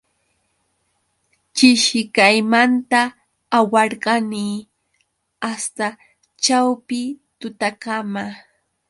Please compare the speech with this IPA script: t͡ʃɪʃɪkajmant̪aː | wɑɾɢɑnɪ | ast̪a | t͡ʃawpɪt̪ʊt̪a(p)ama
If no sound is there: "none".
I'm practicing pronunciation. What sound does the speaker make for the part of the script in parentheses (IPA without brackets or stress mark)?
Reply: k